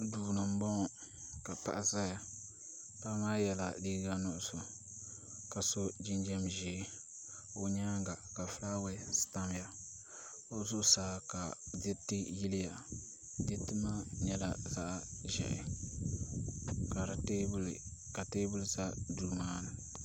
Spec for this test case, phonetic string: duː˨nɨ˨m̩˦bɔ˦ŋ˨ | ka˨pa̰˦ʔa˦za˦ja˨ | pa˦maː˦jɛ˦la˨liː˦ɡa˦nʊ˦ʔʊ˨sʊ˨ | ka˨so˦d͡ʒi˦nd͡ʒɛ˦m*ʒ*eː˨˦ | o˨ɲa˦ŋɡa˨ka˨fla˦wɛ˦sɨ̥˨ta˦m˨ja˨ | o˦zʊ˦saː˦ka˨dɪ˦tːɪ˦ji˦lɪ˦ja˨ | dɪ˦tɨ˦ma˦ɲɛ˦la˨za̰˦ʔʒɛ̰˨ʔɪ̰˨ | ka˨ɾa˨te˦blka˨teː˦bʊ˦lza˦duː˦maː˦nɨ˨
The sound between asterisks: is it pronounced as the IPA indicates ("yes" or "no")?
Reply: yes